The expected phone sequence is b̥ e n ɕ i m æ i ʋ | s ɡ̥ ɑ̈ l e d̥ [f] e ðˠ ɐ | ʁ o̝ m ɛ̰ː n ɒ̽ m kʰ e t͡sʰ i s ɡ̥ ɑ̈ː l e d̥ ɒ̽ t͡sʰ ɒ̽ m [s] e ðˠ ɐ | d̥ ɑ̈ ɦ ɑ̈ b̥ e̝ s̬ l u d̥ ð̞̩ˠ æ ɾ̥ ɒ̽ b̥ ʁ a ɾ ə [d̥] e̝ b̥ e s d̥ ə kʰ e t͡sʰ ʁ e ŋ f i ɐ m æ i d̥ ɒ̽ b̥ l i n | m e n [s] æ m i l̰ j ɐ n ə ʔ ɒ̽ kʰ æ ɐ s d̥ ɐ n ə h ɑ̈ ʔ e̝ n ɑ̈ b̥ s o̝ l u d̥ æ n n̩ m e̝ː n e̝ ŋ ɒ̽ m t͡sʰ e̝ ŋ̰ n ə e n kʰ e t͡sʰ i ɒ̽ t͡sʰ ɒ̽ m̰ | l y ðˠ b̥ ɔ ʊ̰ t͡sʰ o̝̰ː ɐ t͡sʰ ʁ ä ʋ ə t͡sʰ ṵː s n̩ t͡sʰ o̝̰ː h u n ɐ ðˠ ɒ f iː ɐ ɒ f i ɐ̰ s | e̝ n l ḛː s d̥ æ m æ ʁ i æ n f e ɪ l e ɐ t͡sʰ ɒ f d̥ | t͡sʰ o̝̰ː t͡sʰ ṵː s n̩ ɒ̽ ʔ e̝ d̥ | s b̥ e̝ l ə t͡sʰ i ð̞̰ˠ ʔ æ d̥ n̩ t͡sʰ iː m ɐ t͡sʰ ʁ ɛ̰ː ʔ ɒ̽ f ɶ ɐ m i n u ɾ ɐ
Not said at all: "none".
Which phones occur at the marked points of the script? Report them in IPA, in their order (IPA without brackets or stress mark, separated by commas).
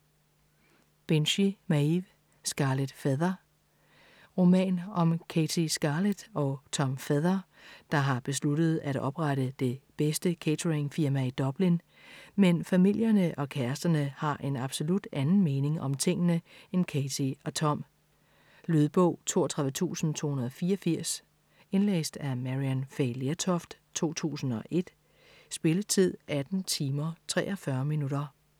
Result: f, f, d̥, f